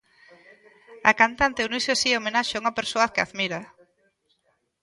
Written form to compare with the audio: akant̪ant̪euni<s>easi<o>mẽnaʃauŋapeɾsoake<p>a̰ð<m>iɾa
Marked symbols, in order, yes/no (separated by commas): yes, yes, no, yes